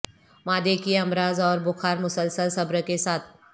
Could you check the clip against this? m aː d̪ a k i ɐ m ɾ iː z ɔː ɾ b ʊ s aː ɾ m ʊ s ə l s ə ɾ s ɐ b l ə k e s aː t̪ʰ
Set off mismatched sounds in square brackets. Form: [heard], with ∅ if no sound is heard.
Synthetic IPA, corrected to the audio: m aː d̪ [e] k i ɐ m ɾ [aː] z ɔː ɾ b ʊ [x] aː ɾ m ʊ s ə l s ə [l] s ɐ b [ɾ] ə k e s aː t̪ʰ